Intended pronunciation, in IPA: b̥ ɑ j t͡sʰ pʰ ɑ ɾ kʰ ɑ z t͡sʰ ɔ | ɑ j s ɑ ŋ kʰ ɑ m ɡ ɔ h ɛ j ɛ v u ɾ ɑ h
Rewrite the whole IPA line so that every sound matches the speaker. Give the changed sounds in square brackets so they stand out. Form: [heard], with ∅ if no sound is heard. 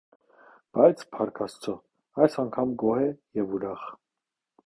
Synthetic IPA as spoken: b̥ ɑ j t͡sʰ pʰ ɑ ɾ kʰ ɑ [s] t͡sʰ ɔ | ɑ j s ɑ ŋ kʰ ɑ m ɡ ɔ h ɛ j ɛ v u ɾ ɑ [χ]